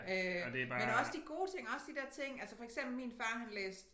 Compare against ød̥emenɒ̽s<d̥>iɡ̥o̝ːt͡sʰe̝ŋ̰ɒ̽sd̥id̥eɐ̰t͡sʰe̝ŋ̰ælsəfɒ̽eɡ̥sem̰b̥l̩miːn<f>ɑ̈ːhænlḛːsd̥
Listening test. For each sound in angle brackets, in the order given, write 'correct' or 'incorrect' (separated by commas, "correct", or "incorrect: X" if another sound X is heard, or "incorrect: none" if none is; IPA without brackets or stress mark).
correct, correct